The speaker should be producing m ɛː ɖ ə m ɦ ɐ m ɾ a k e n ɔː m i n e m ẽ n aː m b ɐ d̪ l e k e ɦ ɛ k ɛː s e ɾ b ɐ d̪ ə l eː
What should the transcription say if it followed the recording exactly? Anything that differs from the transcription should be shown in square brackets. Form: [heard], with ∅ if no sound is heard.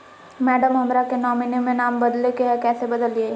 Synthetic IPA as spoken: m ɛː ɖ ə m ɦ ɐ m ɾ a k e n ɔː m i n e m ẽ n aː m b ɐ d̪ l e k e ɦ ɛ k ɛː s e [∅] b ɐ d̪ ə l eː